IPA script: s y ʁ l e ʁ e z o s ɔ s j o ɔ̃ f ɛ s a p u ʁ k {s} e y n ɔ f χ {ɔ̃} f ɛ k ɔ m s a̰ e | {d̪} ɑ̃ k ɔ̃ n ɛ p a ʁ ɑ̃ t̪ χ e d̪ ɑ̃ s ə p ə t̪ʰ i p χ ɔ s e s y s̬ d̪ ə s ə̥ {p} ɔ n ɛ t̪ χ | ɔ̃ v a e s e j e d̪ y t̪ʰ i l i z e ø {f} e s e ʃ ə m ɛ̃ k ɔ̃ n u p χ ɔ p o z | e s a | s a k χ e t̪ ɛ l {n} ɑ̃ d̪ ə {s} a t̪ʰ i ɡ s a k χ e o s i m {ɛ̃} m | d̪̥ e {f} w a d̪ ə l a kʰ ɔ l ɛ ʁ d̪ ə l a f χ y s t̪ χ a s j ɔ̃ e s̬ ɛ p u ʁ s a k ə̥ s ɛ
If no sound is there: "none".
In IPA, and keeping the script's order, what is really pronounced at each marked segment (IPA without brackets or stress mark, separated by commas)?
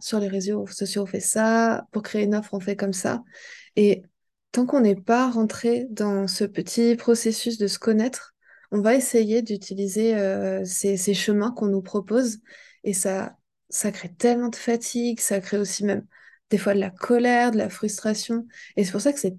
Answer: χ, ɔ̃, t̪, k, s, m, f, ɛ, f